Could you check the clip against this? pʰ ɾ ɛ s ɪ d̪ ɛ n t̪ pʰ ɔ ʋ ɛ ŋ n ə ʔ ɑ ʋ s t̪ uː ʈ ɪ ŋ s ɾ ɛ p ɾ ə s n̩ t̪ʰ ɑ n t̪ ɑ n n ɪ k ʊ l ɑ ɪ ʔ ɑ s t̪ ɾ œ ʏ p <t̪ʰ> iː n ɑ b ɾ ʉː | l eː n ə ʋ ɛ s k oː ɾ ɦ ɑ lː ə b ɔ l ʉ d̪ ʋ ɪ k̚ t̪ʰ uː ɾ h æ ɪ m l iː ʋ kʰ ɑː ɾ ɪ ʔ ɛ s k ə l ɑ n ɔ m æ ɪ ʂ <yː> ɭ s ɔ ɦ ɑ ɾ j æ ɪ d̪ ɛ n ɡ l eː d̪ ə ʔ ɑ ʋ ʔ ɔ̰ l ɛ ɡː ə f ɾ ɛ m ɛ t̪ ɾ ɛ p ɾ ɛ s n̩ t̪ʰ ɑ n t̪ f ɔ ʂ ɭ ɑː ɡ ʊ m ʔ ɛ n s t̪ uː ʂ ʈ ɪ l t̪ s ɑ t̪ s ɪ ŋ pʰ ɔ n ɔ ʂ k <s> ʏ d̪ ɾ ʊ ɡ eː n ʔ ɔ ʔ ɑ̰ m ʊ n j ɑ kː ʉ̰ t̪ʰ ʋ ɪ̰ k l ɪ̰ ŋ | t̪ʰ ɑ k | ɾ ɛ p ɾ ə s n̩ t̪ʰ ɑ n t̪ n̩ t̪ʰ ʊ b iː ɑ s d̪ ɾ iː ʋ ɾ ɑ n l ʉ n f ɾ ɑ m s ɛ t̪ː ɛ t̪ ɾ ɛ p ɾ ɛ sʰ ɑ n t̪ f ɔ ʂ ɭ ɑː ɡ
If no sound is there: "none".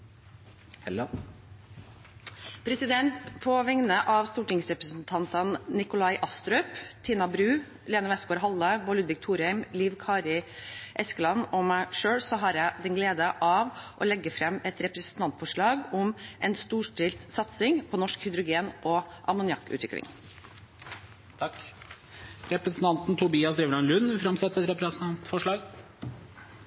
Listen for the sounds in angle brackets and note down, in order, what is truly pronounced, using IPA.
t̪ʰ, øː, h

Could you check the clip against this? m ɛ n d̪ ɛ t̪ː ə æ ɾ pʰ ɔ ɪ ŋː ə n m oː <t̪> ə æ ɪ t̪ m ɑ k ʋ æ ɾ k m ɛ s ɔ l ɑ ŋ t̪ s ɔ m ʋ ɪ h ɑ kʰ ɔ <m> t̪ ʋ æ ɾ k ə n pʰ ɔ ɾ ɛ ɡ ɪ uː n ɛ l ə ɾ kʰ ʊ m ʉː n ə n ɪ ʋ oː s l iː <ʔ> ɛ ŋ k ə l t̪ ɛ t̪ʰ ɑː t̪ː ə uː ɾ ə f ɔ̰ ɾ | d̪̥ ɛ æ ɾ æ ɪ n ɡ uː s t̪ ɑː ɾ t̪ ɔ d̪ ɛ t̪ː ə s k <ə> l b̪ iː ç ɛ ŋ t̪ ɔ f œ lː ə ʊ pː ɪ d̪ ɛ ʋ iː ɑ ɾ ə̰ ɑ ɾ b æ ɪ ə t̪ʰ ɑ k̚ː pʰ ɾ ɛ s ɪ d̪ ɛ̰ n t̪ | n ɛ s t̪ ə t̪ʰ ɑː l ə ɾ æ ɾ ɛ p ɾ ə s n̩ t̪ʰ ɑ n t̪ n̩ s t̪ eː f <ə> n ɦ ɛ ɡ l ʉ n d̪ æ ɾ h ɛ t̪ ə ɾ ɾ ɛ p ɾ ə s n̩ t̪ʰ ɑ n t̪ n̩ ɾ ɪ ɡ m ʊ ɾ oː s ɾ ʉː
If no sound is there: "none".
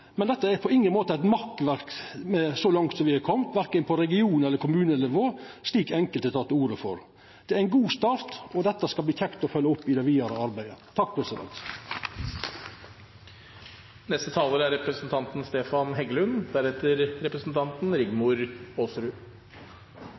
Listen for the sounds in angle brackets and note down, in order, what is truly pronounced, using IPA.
t̪, m, k, ɑ, ɑ

